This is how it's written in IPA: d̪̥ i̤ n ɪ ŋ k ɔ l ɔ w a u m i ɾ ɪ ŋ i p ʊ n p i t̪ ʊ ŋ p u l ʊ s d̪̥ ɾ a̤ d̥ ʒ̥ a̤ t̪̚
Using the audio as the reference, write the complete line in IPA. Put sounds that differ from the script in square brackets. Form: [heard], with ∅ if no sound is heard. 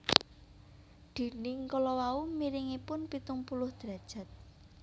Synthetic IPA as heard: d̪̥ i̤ n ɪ ŋ k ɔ l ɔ w a u m i ɾ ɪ ŋ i p ʊ n p i t̪ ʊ ŋ p u l ʊ [h] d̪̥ ɾ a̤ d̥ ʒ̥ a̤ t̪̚